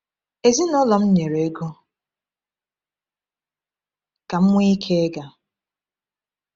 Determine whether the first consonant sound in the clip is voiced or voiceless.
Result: voiced